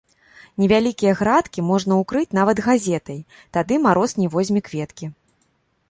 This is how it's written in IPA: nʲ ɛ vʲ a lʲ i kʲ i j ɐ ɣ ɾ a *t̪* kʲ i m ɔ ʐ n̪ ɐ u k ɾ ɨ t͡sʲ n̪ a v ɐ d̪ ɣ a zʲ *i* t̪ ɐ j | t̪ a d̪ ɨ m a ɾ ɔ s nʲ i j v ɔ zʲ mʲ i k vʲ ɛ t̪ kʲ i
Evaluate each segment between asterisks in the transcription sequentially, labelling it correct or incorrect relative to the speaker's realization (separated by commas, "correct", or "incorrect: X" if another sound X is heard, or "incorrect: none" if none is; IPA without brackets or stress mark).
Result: correct, incorrect: ɛ